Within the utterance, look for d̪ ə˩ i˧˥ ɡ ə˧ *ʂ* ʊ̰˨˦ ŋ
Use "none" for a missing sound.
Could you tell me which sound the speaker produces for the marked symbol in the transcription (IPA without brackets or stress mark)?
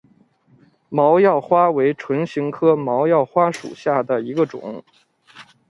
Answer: ʈ͡ʂ